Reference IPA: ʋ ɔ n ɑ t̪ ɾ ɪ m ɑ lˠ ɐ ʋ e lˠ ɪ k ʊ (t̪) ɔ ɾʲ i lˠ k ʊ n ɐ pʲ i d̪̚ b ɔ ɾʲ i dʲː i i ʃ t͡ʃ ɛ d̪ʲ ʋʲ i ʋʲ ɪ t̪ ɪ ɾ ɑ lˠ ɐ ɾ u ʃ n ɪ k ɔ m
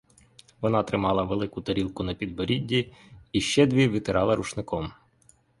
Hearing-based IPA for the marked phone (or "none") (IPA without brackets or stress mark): t̪